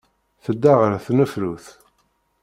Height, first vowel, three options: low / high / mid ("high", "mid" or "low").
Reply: mid